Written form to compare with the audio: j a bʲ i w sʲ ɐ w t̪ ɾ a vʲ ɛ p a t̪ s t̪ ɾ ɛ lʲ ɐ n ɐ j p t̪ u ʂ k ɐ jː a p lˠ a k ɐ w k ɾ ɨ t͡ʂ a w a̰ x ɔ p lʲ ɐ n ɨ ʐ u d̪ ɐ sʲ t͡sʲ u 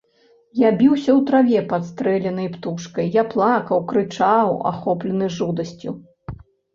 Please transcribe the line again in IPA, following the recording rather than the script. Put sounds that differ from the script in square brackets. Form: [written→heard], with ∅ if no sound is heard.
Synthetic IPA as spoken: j a bʲ i w sʲ ɐ w t̪ ɾ a vʲ ɛ p a t̪ s t̪ ɾ ɛ lʲ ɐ n ɐ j p t̪ u ʂ k ɐ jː a p lˠ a k ɐ w k ɾ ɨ t͡ʂ a w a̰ x ɔ p lʲ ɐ n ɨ ʐ u d̪ ɐ sʲ t͡sʲ u